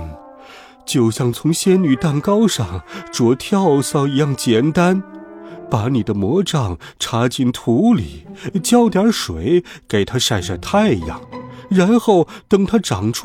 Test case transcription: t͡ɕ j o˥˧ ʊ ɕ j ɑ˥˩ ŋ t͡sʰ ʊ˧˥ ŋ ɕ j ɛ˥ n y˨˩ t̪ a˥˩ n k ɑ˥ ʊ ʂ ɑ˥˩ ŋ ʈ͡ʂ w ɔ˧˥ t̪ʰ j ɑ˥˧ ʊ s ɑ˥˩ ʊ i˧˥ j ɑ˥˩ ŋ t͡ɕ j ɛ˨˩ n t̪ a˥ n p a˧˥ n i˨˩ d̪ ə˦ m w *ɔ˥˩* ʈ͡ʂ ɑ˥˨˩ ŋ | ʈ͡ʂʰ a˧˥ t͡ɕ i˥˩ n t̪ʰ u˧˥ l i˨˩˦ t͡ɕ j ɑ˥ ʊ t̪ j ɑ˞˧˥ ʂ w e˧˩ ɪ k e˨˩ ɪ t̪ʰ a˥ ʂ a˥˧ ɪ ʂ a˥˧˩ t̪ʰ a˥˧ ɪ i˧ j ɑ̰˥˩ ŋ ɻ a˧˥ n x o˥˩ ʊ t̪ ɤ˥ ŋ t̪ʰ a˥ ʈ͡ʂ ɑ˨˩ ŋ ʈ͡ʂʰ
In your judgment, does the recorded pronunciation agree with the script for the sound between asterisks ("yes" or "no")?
no